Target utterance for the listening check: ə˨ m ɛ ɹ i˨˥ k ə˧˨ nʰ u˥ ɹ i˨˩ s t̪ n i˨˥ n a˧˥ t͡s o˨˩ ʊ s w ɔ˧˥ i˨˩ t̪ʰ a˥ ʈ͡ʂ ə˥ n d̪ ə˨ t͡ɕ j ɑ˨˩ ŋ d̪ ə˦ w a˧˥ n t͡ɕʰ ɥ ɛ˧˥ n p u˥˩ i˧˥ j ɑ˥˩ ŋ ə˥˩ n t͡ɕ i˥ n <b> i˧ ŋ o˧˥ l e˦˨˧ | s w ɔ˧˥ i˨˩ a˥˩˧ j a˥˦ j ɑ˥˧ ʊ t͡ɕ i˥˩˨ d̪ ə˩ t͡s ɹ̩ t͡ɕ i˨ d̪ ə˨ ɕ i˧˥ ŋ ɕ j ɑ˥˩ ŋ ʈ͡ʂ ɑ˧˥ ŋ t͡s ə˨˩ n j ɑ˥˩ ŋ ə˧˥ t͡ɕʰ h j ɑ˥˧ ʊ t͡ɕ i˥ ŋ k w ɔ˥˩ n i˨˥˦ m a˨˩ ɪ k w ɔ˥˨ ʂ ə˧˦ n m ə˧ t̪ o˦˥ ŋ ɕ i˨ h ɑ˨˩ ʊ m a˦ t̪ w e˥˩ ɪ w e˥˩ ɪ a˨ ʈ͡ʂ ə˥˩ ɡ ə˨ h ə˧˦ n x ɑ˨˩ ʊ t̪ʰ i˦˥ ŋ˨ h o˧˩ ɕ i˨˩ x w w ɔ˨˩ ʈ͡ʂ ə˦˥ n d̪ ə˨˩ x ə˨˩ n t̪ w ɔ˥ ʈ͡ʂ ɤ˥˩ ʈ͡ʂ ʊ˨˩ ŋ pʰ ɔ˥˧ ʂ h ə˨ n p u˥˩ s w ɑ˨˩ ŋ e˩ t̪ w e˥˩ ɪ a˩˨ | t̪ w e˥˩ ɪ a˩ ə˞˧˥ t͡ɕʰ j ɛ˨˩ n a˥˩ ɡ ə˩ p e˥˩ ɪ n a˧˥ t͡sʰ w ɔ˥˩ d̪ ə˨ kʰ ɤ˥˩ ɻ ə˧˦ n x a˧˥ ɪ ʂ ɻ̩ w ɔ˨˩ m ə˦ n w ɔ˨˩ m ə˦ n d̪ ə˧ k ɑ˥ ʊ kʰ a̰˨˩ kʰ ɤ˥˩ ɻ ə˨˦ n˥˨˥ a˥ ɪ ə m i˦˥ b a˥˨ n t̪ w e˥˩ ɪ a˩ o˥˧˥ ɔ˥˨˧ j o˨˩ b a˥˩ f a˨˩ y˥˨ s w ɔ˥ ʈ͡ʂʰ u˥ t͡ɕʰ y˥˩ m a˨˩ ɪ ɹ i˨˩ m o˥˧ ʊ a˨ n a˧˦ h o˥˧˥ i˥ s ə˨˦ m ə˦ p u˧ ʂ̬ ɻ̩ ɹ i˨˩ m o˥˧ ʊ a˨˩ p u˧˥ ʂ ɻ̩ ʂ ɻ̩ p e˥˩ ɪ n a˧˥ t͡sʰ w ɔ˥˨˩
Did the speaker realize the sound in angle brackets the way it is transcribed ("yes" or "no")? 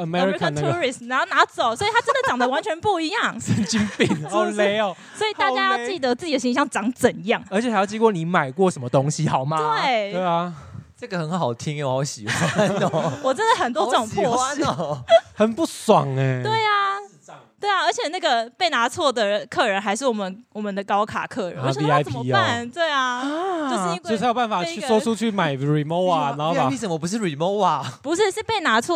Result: no